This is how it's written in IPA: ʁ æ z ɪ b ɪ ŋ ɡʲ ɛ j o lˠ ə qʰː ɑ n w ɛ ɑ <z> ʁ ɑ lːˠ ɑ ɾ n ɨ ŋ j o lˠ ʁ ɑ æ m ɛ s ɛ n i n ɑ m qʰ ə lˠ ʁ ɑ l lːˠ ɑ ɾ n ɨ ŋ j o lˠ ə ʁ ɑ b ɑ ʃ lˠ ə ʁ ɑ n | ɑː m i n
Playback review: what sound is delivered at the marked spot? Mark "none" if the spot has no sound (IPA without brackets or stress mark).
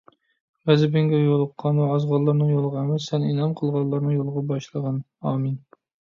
z